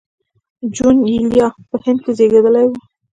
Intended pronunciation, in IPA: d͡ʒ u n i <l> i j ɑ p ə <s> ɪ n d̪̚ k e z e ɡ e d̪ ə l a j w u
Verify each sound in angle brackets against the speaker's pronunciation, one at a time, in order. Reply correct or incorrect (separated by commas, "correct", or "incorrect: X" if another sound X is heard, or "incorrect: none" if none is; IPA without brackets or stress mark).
correct, incorrect: h